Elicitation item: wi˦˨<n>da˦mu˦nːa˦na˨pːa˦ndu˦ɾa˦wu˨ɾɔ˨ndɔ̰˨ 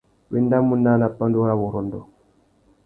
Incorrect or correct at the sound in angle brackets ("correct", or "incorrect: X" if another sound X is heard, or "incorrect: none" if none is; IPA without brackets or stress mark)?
correct